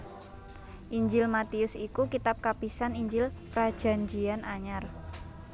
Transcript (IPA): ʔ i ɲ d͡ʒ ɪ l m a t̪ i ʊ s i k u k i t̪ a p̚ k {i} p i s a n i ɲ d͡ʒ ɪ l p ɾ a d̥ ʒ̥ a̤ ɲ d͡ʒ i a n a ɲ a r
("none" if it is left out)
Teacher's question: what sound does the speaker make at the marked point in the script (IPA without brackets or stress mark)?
a